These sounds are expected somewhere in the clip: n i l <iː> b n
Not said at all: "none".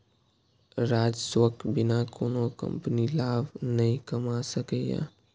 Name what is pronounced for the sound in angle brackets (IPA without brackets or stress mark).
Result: aː